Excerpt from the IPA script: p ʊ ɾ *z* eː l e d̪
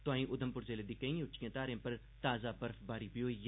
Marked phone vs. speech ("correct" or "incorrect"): correct